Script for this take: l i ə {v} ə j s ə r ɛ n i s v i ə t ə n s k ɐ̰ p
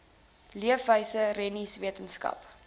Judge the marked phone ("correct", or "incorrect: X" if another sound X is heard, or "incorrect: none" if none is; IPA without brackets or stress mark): incorrect: f